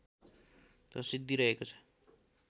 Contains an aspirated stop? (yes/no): yes